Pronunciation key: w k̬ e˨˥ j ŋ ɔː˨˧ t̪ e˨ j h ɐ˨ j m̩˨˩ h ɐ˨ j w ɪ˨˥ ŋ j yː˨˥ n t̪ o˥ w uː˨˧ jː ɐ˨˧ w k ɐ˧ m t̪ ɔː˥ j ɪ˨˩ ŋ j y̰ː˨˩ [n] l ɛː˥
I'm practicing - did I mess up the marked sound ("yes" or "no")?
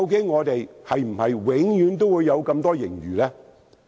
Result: yes